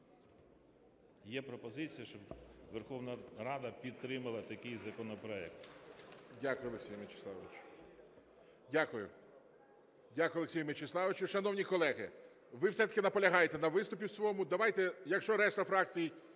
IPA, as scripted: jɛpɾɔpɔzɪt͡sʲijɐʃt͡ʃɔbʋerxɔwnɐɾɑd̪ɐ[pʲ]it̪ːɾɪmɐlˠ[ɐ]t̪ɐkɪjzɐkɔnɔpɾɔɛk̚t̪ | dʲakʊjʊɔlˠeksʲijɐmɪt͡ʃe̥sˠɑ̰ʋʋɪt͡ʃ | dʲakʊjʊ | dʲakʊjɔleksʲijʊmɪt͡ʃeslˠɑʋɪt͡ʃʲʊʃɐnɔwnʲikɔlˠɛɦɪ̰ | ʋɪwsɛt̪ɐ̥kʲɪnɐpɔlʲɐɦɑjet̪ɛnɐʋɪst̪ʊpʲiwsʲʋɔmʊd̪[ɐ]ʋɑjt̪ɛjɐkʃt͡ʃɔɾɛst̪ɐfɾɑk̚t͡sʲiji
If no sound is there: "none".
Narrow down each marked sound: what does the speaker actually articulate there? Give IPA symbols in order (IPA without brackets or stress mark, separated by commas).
pʲ, ɐ, ɐ